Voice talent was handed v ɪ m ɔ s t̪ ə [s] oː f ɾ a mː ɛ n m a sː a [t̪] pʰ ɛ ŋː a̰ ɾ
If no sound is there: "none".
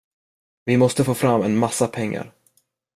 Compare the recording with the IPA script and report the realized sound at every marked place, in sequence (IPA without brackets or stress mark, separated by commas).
f, none